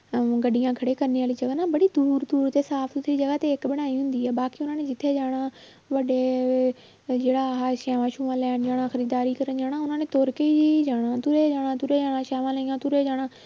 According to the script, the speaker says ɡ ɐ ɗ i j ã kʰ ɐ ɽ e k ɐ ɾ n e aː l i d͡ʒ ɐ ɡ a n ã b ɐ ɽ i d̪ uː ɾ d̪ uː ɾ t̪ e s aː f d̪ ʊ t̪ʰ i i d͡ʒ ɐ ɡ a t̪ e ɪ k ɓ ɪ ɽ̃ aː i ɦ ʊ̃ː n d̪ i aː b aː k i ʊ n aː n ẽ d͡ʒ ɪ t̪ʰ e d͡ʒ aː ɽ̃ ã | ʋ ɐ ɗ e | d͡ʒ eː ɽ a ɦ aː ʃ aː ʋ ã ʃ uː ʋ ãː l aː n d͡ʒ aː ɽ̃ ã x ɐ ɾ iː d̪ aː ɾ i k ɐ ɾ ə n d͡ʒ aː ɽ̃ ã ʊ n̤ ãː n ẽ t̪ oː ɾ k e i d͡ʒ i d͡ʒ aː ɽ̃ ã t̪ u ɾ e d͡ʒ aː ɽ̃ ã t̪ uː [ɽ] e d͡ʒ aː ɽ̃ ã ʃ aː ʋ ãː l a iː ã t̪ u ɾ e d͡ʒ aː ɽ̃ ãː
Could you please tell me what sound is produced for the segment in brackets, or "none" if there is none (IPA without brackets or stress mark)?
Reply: ɾ